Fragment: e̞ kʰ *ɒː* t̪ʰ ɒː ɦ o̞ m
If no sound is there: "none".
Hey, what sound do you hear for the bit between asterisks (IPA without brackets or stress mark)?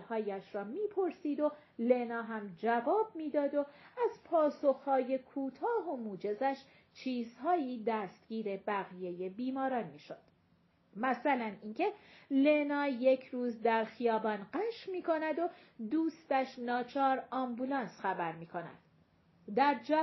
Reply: uː